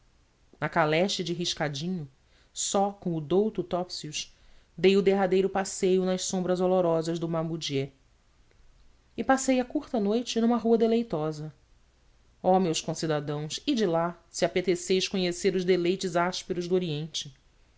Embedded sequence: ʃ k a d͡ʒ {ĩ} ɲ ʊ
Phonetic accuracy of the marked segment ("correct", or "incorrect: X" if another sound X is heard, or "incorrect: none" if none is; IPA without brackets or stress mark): correct